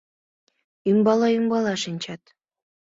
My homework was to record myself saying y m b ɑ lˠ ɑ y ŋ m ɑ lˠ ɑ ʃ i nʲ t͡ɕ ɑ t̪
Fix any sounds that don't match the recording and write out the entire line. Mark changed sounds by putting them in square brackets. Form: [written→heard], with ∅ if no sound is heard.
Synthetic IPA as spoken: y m b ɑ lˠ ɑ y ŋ [m→b] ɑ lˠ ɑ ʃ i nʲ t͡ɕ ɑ t̪